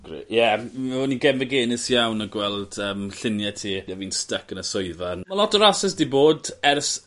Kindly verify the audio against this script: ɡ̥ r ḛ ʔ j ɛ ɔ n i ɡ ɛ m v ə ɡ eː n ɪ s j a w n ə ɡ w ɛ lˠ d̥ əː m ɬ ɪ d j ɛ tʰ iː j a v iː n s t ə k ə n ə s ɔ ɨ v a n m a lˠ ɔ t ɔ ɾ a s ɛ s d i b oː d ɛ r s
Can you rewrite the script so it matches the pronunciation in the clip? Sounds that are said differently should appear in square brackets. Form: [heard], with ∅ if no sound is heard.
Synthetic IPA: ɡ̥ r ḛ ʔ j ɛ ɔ n i ɡ ɛ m v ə ɡ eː n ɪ s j a w n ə ɡ w ɛ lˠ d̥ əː m ɬ ɪ [n] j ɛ tʰ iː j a v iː n s t ə k ə n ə s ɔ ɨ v a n m a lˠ ɔ t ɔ ɾ a s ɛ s d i b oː d ɛ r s

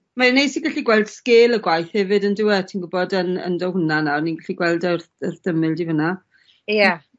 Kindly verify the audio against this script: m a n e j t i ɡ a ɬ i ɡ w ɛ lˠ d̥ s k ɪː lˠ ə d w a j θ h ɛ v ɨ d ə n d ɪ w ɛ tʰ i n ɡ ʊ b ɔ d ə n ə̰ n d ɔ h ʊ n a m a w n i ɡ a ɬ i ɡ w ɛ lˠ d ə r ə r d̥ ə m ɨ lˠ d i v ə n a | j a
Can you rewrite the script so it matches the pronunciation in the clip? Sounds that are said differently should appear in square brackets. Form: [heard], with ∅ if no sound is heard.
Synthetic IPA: m a n e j [s] i ɡ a ɬ i ɡ w ɛ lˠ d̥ s k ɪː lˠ ə [ɡ] w a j θ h ɛ v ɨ d ə n d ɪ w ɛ tʰ i n ɡ ʊ b ɔ d ə n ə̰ n d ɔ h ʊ n a [n] a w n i ɡ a ɬ i ɡ w ɛ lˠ d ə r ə r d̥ ə m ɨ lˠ d i v ə n a | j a

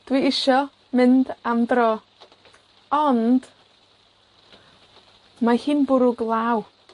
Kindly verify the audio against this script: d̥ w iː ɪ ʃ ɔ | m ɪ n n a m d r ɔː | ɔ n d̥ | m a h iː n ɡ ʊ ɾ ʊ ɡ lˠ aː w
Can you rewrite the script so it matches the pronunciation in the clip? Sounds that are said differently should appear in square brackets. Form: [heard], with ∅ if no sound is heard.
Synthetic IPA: d̥ w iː ɪ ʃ ɔ | m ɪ n [d] a m d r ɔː | ɔ n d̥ | m a h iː n [b] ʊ ɾ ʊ ɡ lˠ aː w

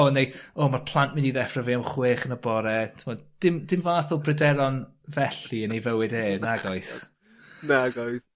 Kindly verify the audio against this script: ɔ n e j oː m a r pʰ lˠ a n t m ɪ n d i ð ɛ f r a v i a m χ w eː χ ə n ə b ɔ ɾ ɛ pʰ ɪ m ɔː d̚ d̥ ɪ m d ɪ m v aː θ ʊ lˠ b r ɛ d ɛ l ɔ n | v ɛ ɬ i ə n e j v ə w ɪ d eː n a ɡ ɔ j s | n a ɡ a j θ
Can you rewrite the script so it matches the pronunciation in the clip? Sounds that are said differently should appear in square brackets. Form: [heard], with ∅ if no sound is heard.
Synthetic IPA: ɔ n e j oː m a r pʰ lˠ a n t m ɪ n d i ð ɛ f r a v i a m χ w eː χ ə n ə b ɔ ɾ ɛ [tʰ] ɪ m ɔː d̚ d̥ ɪ m d ɪ m v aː θ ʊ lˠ b r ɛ d ɛ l ɔ n | v ɛ ɬ i ə n e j v ə w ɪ d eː n a ɡ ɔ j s | n a ɡ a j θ

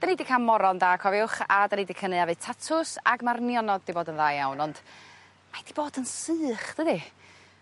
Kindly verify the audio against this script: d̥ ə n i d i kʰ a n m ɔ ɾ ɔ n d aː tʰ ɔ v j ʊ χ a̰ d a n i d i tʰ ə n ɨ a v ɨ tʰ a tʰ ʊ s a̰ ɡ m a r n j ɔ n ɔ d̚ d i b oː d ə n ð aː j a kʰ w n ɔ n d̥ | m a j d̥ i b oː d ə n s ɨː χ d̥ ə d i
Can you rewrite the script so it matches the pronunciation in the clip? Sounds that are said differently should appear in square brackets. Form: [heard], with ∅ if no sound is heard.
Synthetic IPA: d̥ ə n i d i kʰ a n m ɔ ɾ ɔ n d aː [kʰ] ɔ v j ʊ χ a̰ d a n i d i [kʰ] ə n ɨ a v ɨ tʰ a tʰ ʊ s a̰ ɡ m a r n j ɔ n ɔ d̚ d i b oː d ə n ð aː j a [∅] w n ɔ n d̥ | m a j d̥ i b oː d ə n s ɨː χ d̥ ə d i

